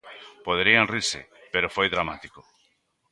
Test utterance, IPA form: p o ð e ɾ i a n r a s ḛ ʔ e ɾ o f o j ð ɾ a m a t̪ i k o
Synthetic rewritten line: p o ð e ɾ i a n r i s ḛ p e ɾ o f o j ð ɾ a m a t̪ i k o